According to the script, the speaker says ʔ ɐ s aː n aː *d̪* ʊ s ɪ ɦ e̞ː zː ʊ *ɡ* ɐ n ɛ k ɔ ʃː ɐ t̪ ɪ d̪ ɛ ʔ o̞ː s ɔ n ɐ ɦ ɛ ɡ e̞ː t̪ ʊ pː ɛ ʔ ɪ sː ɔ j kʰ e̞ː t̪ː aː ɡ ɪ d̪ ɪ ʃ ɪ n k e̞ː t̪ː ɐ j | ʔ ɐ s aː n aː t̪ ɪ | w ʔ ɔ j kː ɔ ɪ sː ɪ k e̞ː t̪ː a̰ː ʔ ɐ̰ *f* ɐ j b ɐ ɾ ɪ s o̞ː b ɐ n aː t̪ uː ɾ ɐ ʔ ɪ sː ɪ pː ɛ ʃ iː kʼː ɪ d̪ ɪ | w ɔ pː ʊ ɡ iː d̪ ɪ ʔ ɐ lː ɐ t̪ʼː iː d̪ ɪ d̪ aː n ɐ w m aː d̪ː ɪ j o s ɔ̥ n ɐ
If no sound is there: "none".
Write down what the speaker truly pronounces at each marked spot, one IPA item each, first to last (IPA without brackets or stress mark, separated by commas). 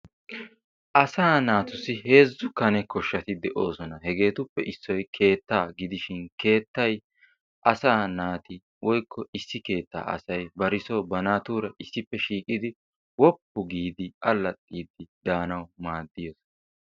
t̪, k, s